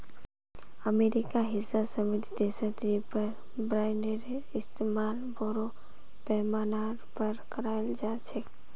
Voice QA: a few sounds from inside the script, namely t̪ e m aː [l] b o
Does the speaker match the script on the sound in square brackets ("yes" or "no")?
yes